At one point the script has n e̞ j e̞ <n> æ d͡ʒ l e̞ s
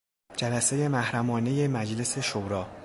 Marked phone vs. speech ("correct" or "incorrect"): incorrect